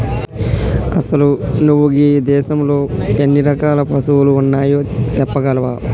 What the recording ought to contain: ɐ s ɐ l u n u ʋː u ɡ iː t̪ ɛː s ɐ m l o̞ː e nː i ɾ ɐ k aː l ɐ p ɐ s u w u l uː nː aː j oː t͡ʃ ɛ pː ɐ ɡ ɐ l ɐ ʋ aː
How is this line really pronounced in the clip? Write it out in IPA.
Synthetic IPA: ɐ s ɐ l u n u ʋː u ɡ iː d̪ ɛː ʃ ɐ m l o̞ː e nː i ɾ ɐ k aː l ɐ p ɐ s u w u l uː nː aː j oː t͡ʃ ɛ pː ɐ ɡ ɐ l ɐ ʋ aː